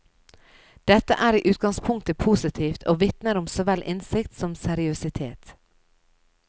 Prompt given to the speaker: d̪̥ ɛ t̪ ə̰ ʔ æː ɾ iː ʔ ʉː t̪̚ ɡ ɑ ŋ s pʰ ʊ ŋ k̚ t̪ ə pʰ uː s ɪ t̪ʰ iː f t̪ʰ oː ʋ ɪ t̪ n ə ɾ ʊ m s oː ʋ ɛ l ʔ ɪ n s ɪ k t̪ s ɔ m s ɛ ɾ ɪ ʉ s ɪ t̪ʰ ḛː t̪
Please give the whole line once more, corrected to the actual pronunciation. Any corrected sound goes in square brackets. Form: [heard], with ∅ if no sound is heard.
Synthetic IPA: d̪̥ ɛ t̪ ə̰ ʔ æː ɾ iː ʔ ʉː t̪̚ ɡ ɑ ŋ s pʰ ʊ ŋ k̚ t̪ ə pʰ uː s ɪ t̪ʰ iː f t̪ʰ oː ʋ ɪ t̪ n ə ɾ ʊ m s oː ʋ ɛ l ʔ ɪ n s ɪ k t̪ s ɔ m s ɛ ɾ ɪ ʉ s ɪ t̪ʰ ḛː t̪